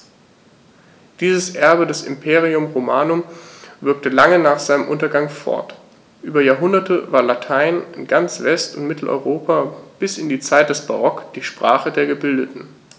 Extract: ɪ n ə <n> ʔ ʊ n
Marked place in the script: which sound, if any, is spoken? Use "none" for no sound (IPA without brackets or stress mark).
m